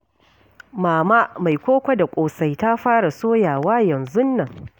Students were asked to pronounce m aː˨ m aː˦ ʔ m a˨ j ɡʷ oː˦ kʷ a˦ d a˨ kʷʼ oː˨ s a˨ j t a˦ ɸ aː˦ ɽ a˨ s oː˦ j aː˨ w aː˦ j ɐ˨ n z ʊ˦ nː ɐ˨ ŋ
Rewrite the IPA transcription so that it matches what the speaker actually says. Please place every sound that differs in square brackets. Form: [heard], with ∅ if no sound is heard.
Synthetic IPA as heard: m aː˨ m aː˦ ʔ m a˨ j [kʷ] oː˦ kʷ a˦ d a˨ kʷʼ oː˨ s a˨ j t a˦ ɸ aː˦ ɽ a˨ s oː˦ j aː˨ w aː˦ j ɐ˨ n z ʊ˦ nː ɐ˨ ŋ